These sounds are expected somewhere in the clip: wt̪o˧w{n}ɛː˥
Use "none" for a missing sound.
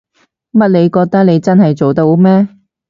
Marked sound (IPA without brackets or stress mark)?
m